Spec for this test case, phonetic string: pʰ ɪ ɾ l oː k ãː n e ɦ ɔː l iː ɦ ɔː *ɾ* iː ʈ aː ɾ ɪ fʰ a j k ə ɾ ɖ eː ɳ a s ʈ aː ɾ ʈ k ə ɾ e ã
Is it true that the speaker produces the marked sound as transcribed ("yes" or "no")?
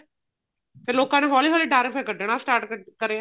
no